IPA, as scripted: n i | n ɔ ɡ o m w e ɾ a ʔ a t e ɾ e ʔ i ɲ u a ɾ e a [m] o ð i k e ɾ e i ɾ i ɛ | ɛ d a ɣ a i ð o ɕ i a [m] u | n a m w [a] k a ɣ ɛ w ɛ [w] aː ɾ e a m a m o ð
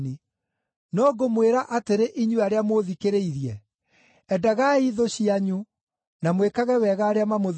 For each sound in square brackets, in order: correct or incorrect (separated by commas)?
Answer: correct, incorrect, incorrect, incorrect